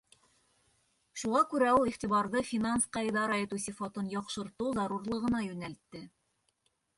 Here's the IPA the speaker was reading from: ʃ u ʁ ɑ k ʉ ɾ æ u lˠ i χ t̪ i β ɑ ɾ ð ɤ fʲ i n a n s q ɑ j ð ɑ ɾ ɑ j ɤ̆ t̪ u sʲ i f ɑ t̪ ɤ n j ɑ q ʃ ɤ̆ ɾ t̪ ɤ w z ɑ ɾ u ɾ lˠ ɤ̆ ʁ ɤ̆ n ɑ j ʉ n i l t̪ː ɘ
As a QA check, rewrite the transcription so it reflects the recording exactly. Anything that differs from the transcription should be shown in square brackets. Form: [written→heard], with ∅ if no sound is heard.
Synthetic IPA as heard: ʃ u ʁ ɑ k ʉ ɾ æ u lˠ i χ t̪ i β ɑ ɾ ð ɤ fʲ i n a n s q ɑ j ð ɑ ɾ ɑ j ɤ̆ t̪ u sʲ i f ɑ t̪ ɤ n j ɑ q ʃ ɤ̆ ɾ t̪ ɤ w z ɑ ɾ u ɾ lˠ ɤ̆ ʁ ɤ̆ n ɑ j ʉ n [i→æ] l t̪ː ɘ

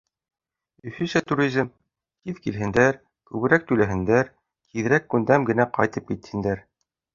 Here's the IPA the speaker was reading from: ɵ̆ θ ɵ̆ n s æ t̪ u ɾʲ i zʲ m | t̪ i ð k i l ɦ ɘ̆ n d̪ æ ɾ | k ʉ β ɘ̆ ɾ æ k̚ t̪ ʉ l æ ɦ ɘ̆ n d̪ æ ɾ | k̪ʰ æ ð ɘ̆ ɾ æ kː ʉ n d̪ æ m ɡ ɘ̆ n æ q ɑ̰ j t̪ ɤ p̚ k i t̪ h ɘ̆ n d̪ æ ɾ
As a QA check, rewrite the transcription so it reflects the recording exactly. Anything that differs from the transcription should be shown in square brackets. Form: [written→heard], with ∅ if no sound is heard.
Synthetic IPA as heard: ɵ̆ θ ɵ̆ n s æ t̪ u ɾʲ i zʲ m | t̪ i ð k i l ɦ ɘ̆ n d̪ æ ɾ | k ʉ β ɘ̆ ɾ æ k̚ t̪ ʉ l æ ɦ ɘ̆ n d̪ æ ɾ | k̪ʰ [æ→i] ð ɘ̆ ɾ æ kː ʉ n d̪ æ m ɡ ɘ̆ n æ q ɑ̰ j t̪ ɤ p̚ k i t̪ h ɘ̆ n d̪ æ ɾ

